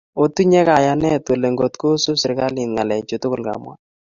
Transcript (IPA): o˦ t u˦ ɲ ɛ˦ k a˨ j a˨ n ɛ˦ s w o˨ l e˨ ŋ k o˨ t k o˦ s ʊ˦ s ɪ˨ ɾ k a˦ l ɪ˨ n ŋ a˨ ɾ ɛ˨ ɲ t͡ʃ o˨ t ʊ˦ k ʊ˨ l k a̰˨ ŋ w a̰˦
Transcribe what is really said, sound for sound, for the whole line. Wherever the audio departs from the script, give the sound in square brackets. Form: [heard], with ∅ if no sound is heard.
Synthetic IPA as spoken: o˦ t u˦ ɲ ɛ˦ k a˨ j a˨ n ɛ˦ [t] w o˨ l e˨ ŋ [ɡ] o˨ t k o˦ s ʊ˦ s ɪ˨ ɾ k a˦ l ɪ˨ n ŋ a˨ [l] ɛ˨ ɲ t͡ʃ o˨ t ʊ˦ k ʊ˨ l k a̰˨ [m] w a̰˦